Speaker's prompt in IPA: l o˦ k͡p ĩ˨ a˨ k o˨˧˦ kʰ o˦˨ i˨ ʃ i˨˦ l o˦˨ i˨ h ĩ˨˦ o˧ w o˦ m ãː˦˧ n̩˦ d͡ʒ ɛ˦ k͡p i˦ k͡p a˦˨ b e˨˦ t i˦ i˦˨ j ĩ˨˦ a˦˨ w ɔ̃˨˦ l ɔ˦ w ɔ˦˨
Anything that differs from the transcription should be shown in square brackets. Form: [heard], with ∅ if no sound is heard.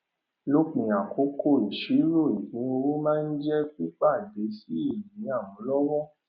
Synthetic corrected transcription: l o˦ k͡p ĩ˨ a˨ k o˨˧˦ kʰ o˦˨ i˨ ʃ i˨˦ [ɾ] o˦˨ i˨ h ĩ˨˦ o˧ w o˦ m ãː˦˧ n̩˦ d͡ʒ ɛ˦ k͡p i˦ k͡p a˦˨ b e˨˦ [s] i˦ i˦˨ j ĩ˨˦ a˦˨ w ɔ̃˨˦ l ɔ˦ w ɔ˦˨